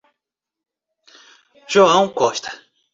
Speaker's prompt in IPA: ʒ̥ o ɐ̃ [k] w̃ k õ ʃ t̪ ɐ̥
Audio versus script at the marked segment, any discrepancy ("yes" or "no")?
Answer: yes